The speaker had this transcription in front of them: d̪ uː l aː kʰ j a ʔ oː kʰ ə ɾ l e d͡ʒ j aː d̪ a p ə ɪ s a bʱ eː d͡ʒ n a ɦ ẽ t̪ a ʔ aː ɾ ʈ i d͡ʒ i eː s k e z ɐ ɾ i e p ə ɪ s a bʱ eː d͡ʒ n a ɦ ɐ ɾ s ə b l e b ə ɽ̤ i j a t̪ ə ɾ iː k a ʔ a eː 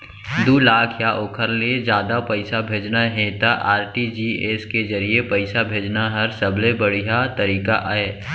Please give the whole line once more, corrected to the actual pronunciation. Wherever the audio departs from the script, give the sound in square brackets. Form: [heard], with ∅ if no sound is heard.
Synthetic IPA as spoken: d̪ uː l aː kʰ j a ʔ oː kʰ ə ɾ l e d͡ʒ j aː d̪ a p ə ɪ s a bʱ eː d͡ʒ n a ɦ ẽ t̪ a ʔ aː ɾ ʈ i d͡ʒ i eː s k e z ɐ ɾ i e p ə ɪ s a bʱ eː d͡ʒ n a ɦ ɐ ɾ s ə b l e b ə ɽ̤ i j a t̪ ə ɾ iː k a ʔ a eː